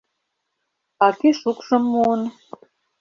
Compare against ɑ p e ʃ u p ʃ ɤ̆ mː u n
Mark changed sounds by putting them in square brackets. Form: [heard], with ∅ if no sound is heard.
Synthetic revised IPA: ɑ [k] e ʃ u [k] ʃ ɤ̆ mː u n